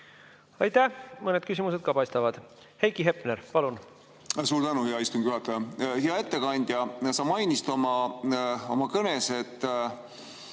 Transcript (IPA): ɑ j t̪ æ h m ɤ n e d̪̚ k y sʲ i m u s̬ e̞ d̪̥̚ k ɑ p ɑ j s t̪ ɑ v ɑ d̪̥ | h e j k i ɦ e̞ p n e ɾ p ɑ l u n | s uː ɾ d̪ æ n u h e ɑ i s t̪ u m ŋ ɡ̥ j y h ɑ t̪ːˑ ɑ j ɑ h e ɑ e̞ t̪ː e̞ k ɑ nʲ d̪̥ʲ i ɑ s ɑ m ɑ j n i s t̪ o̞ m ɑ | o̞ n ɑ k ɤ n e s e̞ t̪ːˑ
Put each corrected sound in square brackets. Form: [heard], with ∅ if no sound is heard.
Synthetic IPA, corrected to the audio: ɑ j t̪ æ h m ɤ n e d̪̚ k y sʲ i m u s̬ e̞ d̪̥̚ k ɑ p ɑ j s t̪ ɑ v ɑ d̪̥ | h e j k i ɦ e̞ p n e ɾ p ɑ l u n | s uː ɾ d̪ æ n u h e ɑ i s t̪ u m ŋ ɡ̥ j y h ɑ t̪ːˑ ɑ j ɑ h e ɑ e̞ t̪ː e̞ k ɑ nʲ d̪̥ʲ [j] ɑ s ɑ m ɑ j n i s t̪ o̞ m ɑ | o̞ [m] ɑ k ɤ n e s e̞ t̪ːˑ